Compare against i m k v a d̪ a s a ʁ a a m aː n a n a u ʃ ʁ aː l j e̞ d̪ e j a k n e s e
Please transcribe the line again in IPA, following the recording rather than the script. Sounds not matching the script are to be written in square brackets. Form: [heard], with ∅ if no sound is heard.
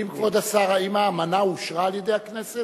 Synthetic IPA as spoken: i m k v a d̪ a s a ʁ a [i] m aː [m] a n a u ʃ ʁ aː l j e̞ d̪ e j a k n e s e